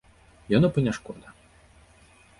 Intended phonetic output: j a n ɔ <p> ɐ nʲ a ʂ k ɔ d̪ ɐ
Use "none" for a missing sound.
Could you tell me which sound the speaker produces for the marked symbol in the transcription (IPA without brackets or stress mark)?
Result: p